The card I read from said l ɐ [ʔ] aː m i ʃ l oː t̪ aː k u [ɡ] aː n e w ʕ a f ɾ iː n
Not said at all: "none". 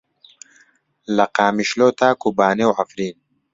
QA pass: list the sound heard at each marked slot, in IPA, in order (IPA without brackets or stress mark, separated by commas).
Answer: q, b